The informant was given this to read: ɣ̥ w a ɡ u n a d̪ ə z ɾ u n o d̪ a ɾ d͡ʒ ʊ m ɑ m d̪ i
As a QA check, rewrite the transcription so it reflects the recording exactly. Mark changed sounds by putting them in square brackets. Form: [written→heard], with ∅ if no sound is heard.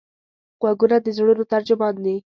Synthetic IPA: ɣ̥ w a ɡ u n a d̪ ə z [ɾ→ɽ] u n o [d̪→t̪] a ɾ d͡ʒ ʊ m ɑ [m→n] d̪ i